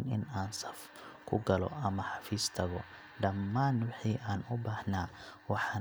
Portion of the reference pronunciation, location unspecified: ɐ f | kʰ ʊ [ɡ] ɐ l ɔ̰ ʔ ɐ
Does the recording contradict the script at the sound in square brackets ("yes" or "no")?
no